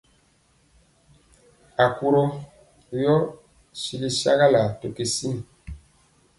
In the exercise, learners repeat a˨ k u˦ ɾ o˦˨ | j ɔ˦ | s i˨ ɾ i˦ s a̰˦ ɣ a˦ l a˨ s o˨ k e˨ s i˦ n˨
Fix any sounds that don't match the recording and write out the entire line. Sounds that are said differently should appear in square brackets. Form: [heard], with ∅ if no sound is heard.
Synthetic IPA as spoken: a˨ k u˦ ɾ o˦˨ | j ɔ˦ | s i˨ [l] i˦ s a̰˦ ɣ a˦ l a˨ [t] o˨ k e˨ s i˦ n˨